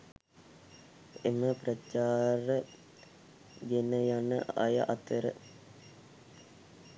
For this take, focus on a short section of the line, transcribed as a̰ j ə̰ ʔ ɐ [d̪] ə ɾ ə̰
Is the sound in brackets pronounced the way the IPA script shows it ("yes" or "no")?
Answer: no